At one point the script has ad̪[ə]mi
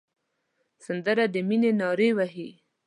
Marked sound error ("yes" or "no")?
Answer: no